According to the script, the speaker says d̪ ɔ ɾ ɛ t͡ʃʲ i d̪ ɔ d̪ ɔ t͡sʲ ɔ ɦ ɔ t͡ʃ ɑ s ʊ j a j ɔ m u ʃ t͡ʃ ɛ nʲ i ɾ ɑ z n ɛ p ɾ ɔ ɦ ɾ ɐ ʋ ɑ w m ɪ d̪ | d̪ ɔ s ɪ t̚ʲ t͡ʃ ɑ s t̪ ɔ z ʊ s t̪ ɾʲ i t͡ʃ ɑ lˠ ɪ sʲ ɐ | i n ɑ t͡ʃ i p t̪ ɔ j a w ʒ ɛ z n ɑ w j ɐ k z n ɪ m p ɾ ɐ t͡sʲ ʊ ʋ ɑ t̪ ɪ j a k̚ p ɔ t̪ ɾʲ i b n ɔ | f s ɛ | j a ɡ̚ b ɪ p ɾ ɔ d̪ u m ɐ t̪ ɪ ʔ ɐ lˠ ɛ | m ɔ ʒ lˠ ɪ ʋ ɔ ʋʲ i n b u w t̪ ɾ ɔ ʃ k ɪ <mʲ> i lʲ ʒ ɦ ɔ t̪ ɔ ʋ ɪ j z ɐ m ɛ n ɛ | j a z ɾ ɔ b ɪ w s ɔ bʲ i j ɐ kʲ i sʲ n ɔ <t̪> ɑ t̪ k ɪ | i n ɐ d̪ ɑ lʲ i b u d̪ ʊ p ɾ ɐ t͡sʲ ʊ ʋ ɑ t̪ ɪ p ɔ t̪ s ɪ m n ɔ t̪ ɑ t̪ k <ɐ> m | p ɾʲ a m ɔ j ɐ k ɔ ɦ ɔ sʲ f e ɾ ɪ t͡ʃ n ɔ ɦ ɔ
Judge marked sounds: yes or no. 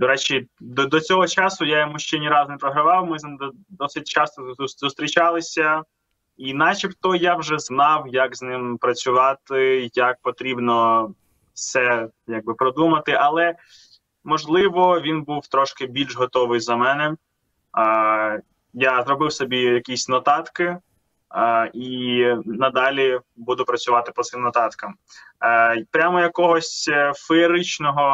no, yes, yes

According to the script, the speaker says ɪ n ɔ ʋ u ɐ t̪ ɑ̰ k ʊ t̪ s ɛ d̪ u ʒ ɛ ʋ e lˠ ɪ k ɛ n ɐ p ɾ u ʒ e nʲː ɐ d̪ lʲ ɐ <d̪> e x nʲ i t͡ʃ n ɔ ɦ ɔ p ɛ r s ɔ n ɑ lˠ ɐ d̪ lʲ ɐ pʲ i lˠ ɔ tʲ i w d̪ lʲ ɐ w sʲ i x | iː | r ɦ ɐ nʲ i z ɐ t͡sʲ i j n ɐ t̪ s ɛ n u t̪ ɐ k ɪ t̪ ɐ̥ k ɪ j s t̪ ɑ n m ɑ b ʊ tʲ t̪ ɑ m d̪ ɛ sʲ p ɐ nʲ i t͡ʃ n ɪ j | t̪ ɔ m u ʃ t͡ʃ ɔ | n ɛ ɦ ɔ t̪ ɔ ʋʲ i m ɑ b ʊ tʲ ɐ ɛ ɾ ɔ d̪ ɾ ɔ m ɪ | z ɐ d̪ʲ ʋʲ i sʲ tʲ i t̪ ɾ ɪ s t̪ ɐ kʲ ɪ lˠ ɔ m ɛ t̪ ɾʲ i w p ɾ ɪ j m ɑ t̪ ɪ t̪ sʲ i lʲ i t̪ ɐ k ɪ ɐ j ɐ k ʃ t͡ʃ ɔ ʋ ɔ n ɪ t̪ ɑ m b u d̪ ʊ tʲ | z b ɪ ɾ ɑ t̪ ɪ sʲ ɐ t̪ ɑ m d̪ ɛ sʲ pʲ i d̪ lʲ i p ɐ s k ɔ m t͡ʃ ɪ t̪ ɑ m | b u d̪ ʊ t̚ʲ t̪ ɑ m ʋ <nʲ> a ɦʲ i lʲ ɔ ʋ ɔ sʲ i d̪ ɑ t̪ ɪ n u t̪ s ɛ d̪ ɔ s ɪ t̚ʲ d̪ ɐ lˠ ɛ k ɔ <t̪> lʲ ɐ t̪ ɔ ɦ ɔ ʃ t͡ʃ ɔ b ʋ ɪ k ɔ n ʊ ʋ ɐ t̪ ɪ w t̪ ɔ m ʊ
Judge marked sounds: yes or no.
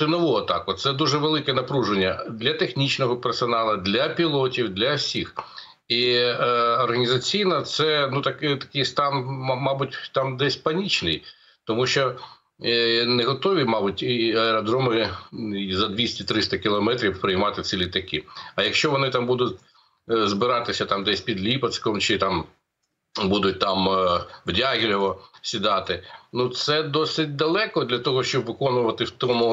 no, no, no

